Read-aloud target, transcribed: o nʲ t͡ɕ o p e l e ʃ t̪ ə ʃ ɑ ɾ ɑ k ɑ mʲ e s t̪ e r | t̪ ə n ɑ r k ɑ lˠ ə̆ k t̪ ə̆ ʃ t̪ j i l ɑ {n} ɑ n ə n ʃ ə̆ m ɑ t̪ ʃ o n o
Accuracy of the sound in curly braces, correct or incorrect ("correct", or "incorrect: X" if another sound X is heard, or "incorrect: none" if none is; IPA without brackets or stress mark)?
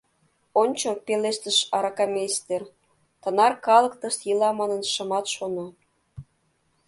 incorrect: m